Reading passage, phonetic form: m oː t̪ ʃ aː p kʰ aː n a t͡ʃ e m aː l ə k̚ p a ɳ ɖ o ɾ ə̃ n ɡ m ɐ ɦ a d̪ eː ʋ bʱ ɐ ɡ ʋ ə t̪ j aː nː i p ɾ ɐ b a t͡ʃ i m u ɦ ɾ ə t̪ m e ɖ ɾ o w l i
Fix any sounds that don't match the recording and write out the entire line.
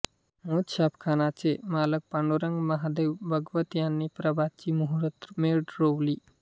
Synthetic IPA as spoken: m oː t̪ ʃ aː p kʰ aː n a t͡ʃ e m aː l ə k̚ p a ɳ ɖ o ɾ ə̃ ŋ ɡ m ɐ ɦ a d̪ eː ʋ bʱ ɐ ɡ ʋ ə t̪ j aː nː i p ɾ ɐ b a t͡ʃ i m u ɦ ɾ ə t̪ m e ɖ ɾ o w l i

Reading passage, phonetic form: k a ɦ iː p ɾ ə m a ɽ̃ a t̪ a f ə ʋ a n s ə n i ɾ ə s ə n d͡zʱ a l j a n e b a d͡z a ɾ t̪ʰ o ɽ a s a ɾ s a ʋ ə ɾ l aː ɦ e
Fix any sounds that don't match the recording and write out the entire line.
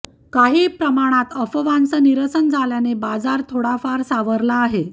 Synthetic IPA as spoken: k a ɦ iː p ɾ ə m a ɽ̃ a t̪ ə f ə ʋ a n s ə n i ɾ ə s ə n d͡zʱ a l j a n e b a d͡z a ɾ t̪ʰ o ɽ a f a ɾ s a ʋ ə ɾ l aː ɦ e

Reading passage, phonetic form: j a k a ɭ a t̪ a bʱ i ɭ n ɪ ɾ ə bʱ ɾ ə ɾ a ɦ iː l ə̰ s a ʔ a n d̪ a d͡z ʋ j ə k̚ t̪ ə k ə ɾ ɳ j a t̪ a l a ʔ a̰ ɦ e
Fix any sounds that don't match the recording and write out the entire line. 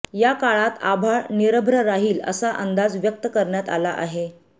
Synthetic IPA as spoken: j a k a ɭ a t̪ a bʱ a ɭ n i ɾ ə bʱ ɾ ə ɾ a ɦ iː l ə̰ s a ʔ ə n d̪ a d͡z ʋ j ə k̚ t̪ ə k ə ɾ ɳ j a t̪ a l a ʔ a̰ ɦ e

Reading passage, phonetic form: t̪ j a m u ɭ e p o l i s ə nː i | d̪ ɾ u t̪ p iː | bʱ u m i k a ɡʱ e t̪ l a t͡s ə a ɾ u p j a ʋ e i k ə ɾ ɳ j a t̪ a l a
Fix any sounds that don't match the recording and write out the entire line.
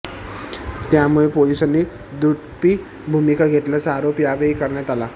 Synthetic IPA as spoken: t̪ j a m u ɭ e p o l i s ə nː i | d̪ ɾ u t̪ p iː | bʱ u m i k a ɡʱ e t̪ l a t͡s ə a ɾ o p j a ʋ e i k ə ɾ ɳ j a t̪ a l a

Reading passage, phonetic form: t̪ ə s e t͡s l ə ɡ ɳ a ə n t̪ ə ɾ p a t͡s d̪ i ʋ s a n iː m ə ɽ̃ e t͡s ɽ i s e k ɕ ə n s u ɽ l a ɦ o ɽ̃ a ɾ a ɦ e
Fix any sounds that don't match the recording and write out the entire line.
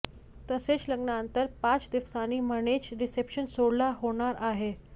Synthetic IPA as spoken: t̪ ə s e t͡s l ə ɡ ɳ a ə n t̪ ə ɾ p a t͡s d̪ i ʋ s a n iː m ə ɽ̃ e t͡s ɾ i s e p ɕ ə n s o ɽ l a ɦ o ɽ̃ a ɾ a ɦ e

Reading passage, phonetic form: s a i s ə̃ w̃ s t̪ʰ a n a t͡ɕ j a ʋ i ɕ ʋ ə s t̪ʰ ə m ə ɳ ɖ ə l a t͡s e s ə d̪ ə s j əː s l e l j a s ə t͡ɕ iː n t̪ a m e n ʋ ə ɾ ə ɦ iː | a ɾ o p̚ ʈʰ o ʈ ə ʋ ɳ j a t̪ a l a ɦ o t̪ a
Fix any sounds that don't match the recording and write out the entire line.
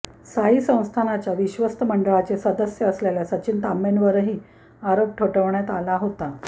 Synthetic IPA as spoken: s a i s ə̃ w̃ s t̪ʰ a n a t͡ɕ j a ʋ i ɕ ʋ ə s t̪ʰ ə m ə ɳ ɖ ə ɭ a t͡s e s ə d̪ ə s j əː s l e l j a s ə t͡ɕ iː n t̪ a m e n ʋ ə ɾ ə ɦ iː | a ɾ o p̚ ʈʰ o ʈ ə ʋ ɳ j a t̪ a l a ɦ o t̪ a

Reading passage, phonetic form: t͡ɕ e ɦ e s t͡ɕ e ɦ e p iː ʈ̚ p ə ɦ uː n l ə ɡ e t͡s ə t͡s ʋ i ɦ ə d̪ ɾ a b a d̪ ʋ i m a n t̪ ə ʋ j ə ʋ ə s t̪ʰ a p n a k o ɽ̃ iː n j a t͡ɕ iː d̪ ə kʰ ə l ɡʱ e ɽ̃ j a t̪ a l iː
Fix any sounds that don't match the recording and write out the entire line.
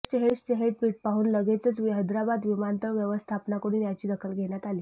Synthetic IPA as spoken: t͡ɕ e ɦ e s t͡ɕ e ɦ e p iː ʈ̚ p a ɦ uː n l ə ɡ e t͡s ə t͡s ʋ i ɦ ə d̪ ɾ a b a d̪ ʋ i m a n t̪ ə ʋ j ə ʋ ə s t̪ʰ a p n a k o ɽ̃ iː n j a t͡ɕ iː d̪ ə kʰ ə l ɡʱ e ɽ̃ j a t̪ a l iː

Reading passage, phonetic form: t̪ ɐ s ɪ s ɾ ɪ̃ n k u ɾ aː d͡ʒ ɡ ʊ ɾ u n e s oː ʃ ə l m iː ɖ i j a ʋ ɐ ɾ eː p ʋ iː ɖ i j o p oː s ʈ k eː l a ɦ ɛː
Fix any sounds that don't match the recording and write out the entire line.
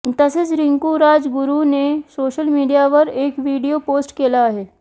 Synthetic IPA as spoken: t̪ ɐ s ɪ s ɾ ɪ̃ ŋ k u ɾ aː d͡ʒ ɡ ʊ ɾ u n e s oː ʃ ə l m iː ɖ i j a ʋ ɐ ɾ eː k ʋ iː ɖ i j o p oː s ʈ k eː l a ɦ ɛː

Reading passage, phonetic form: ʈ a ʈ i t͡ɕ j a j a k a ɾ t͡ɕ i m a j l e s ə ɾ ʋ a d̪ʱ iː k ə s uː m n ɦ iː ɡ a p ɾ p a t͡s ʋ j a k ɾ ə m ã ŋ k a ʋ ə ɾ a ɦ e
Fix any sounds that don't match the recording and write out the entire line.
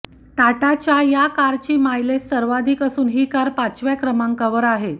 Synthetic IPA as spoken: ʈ a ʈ a t͡ɕ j a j a k a ɾ t͡ɕ iː m a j l e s ə ɾ ʋ a d̪ʱ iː k ə s uː n ɦ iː k a ɾ p a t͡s ʋ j a k ɾ ə m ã ŋ k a ʋ ə ɾ a ɦ e

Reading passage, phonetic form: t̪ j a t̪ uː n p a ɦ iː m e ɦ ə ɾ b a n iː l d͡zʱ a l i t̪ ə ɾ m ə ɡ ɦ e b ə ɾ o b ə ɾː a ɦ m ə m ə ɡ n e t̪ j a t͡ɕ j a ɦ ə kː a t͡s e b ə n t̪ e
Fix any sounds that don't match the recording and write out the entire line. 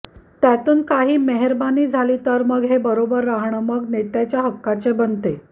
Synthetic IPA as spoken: t̪ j a t̪ uː n k a ɦ iː m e ɦ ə ɾ b a n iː d͡zʱ a l i t̪ ə ɾ m ə ɡ ɦ e b ə ɾ o b ə ɾː a ɦ ɳ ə m ə ɡ n e t̪ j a t͡ɕ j a ɦ ə kː a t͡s e b ə n t̪ e

